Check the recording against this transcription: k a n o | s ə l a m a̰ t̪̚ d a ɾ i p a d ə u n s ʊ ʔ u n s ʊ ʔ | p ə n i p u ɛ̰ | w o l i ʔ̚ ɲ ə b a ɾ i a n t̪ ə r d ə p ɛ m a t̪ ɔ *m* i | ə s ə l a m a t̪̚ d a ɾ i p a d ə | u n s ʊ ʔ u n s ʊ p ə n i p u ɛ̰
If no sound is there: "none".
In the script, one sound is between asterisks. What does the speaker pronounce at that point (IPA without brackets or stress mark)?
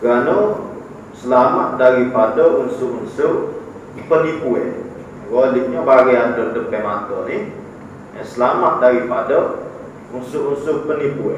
n